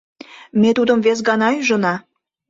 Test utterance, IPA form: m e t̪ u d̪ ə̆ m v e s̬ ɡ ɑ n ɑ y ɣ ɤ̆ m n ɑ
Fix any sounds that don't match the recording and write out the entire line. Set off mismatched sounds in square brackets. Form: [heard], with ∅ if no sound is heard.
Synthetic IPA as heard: m e t̪ u d̪ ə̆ m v e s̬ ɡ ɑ n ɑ y [ʒ] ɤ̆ [∅] n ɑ